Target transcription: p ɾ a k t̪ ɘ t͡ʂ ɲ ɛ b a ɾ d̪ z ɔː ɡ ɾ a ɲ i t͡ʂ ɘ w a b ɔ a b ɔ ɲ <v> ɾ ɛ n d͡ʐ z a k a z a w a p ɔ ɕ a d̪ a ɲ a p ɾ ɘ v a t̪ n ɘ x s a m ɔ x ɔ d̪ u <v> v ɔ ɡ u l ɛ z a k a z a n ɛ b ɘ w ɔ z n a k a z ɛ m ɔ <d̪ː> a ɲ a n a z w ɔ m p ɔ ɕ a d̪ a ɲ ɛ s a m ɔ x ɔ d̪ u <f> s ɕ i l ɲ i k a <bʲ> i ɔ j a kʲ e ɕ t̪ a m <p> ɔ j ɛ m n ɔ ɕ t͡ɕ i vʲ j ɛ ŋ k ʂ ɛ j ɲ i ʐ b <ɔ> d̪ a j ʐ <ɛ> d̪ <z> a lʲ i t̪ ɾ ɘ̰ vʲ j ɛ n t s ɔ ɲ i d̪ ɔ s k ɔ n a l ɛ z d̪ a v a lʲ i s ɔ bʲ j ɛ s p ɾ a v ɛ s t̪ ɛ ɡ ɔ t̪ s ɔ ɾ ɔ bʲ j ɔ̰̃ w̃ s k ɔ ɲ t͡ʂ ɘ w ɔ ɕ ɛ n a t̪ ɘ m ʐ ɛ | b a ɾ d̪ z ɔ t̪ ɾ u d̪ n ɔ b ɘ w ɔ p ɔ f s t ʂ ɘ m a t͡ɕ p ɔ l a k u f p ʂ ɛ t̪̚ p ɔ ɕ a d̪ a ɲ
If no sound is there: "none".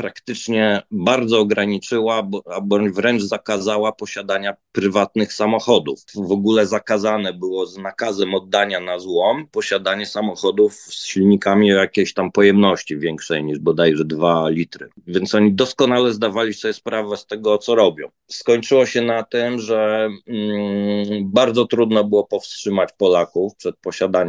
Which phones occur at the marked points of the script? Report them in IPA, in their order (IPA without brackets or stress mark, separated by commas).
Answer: v, f, d̪ː, f, mʲ, p, ɔ, ɛ, v